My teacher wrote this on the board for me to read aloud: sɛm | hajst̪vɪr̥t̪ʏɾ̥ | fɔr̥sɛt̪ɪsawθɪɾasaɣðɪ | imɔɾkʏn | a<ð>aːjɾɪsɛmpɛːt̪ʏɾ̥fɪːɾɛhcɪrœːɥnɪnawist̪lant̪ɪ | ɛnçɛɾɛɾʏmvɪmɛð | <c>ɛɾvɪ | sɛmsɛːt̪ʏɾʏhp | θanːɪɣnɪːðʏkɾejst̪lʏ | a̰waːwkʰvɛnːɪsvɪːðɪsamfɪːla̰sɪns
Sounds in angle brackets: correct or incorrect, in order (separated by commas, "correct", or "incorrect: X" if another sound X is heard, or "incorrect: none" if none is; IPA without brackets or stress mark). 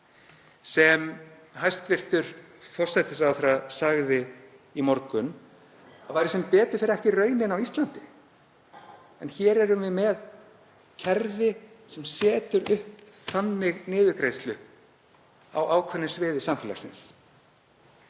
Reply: incorrect: v, incorrect: cʰ